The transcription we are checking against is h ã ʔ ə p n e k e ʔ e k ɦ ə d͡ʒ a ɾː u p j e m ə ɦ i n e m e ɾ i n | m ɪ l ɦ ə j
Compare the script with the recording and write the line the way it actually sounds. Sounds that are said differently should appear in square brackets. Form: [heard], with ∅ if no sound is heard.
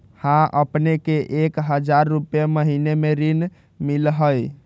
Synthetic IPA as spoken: h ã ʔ ə p n e k e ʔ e k ɦ ə d͡ʒ a ɾː u p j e m ə ɦ i n e m e ɾ i n | m [i] l ɦ ə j